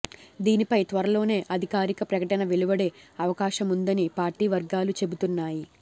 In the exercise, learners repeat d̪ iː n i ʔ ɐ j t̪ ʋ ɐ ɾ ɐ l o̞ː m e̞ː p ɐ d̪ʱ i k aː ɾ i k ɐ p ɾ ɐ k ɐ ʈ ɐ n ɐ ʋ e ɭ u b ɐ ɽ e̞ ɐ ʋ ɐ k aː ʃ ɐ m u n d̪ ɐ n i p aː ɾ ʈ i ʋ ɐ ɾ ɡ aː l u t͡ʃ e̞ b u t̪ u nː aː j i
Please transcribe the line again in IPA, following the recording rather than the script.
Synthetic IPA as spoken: d̪ iː n i p ɐ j t̪ ʋ ɐ ɾ ɐ l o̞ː n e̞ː ʔ ɐ d̪ʱ i k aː ɾ i k ɐ p ɾ ɐ k ɐ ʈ ɐ n ɐ ʋ e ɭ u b ɐ ɽ e̞ ɐ ʋ ɐ k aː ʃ ɐ m u n d̪ ɐ n i p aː ɾ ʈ iː ʋ ɐ ɾ ɡ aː l u t͡ʃ e̞ b u t̪ u nː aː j i